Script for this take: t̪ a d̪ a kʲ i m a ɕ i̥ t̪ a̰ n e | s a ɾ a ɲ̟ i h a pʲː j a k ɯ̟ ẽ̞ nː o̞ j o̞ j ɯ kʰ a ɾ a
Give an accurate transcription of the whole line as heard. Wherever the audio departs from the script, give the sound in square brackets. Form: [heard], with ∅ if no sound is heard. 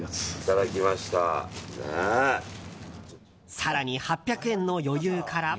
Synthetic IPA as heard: t̪ a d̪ a kʲ i m a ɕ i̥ t̪ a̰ n e | s a ɾ a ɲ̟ i h a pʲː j a k ɯ̟ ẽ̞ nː o̞ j o̞ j [ɯː] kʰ a ɾ a

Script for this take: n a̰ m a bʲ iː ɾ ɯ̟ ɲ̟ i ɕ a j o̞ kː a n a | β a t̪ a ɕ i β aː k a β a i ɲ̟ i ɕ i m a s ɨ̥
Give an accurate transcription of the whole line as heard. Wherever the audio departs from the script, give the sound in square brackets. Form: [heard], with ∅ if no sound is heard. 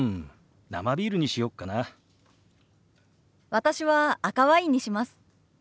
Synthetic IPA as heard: n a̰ m a bʲ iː ɾ ɯ̟ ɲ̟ i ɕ [i] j o̞ kː a n a | β a t̪ a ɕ i β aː k a β a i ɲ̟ i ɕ i m a s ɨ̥

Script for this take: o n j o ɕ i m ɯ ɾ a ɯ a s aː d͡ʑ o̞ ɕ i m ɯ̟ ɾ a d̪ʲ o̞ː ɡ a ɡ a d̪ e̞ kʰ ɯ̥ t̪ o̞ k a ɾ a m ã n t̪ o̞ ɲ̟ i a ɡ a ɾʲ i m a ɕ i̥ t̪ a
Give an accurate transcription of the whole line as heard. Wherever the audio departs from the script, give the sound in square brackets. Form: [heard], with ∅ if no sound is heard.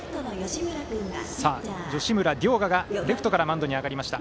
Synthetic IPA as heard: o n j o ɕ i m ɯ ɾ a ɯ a s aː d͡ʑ o̞ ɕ i m ɯ̟ ɾ a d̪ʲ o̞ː ɡ a ɡ a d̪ e̞ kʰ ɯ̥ t̪ o̞ k a ɾ a m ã n [d̪] o̞ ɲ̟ i a ɡ a ɾʲ i m a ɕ i̥ t̪ a

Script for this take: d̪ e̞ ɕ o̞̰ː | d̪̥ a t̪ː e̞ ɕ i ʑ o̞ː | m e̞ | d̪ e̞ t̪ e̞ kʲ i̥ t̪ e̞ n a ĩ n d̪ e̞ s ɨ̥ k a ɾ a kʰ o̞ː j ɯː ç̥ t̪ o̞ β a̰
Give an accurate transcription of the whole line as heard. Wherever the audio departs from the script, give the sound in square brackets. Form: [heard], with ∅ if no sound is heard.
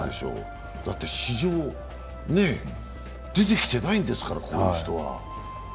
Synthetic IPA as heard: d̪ e̞ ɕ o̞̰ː | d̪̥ a t̪ː e̞ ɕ i ʑ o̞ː | [n] e̞ | d̪ e̞ t̪ e̞ kʲ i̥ t̪ e̞ n a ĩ n d̪ e̞ s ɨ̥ k a ɾ a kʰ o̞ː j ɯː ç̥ t̪ o̞ β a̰

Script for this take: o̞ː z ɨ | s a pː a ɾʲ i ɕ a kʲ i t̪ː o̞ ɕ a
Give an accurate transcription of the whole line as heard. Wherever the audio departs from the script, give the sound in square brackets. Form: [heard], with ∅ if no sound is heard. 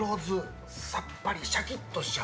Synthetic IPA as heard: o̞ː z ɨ | s a pː a ɾʲ i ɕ a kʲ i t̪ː o̞ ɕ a

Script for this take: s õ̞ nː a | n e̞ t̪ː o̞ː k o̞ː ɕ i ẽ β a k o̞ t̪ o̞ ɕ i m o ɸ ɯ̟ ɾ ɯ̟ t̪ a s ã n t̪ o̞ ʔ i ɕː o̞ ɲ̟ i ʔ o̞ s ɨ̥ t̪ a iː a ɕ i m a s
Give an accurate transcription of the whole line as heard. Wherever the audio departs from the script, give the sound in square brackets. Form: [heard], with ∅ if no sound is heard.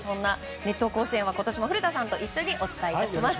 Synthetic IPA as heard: s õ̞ nː a | n e̞ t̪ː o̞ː k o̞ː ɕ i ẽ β a k o̞ t̪ o̞ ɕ i m o ɸ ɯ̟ ɾ ɯ̟ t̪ a s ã n t̪ o̞ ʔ i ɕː o̞ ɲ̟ i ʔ o̞ [t͡s] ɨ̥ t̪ a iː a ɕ i m a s

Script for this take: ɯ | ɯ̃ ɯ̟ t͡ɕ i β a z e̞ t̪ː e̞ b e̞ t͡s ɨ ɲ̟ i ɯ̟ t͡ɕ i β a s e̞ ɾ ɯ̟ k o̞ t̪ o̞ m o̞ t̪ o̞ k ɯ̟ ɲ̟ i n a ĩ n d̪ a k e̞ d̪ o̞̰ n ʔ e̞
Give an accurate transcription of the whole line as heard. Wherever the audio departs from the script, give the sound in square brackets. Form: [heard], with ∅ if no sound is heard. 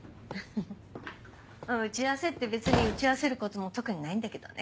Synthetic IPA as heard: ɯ | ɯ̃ ɯ̟ t͡ɕ i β a [s] e̞ t̪ː e̞ b e̞ t͡s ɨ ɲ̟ i ɯ̟ t͡ɕ i β a s e̞ ɾ ɯ̟ k o̞ t̪ o̞ m o̞ t̪ o̞ k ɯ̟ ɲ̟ i n a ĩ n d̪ a k e̞ d̪ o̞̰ n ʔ e̞

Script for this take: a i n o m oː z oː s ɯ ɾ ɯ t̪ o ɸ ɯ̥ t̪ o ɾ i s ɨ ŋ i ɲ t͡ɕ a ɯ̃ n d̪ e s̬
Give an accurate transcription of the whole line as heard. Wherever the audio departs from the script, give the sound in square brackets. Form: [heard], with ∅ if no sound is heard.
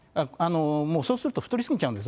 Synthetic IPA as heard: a [a] n o m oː [s] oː s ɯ ɾ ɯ t̪ o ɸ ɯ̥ t̪ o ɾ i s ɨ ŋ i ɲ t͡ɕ a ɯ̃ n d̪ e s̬

